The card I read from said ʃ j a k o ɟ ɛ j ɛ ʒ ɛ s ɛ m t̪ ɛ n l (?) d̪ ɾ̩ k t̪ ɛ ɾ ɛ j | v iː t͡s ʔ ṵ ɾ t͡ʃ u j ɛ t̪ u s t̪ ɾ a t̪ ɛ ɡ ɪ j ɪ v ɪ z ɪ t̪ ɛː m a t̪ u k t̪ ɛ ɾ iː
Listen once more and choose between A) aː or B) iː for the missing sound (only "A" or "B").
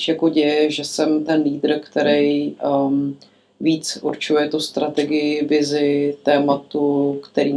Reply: B